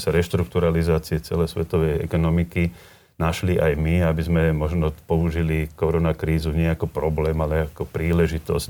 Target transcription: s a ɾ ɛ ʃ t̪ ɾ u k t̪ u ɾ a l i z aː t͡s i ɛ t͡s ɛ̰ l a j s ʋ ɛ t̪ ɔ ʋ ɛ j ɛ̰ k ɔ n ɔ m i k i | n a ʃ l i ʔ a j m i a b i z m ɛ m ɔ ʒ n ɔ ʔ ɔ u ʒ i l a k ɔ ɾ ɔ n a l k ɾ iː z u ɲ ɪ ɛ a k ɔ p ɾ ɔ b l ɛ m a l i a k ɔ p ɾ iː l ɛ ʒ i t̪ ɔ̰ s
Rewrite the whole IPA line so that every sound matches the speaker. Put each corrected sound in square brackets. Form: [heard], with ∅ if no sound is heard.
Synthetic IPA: s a ɾ ɛ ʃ t̪ ɾ u k t̪ u ɾ a l i z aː t͡s i ɛ t͡s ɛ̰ l [ɛ] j s ʋ ɛ t̪ ɔ ʋ ɛ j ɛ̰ k ɔ n ɔ m i k i | n a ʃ l i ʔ a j m i a b i z m ɛ m ɔ ʒ n ɔ [p] ɔ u ʒ i l [i] k ɔ ɾ ɔ n a [∅] k ɾ iː z u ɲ ɪ ɛ a k ɔ p ɾ ɔ b l [ɛː] m a l [ɛ] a k ɔ p ɾ iː l ɛ ʒ i t̪ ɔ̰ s